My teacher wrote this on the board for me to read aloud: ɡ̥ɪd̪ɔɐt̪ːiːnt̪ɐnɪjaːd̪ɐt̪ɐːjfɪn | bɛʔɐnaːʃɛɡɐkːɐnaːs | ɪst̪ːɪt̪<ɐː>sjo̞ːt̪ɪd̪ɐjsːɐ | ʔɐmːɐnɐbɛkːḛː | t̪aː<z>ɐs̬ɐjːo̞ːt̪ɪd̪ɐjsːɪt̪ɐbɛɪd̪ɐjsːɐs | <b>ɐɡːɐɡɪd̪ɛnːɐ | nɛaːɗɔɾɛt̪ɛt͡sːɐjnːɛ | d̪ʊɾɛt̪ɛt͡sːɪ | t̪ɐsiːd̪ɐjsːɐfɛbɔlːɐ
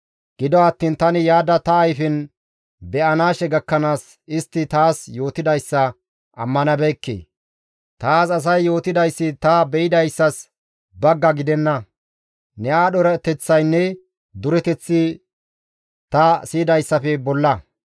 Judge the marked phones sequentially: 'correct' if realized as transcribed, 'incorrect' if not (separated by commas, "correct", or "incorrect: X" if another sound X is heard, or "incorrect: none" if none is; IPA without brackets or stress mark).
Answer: incorrect: aː, incorrect: s, correct